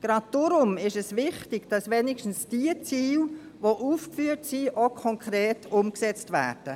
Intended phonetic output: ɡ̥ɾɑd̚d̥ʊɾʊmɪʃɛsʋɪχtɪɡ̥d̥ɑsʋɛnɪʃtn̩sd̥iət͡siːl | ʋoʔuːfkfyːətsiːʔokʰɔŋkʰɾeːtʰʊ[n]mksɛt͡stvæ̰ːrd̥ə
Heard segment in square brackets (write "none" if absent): none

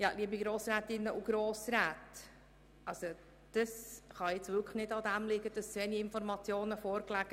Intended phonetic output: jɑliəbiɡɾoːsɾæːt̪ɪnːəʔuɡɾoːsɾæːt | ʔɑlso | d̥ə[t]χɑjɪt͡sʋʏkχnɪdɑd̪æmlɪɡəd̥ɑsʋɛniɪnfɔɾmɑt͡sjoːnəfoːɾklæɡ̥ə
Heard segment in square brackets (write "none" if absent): s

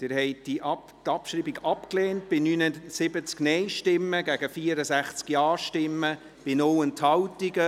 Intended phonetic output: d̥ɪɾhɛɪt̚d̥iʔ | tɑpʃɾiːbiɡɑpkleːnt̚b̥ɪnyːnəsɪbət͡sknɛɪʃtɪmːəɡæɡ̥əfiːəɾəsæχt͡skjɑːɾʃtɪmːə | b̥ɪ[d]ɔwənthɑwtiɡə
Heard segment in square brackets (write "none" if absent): n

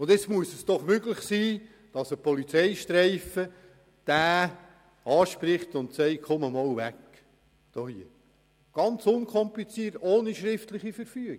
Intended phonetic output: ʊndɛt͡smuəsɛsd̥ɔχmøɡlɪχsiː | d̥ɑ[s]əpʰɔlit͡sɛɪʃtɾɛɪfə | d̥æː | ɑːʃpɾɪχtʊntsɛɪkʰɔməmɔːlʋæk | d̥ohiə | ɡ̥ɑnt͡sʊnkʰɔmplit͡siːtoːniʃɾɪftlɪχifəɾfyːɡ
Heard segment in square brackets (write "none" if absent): s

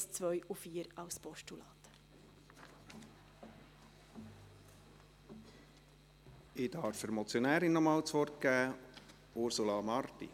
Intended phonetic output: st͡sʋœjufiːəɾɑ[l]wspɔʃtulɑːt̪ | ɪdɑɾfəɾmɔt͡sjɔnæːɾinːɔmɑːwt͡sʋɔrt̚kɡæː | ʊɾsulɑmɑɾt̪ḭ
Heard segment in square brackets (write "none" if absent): none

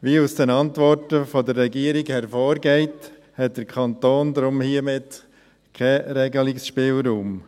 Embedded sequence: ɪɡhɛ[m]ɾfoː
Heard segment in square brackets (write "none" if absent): none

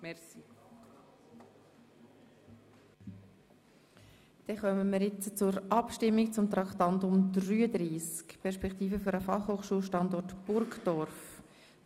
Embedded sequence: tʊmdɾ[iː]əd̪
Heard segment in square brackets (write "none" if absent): yː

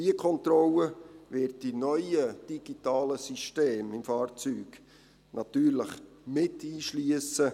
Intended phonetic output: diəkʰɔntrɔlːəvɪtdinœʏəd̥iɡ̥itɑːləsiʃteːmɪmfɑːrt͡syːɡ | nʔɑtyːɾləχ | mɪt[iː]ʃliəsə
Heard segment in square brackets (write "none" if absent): iː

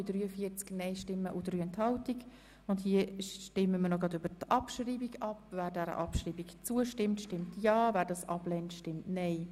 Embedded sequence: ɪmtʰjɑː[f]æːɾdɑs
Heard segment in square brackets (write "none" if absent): v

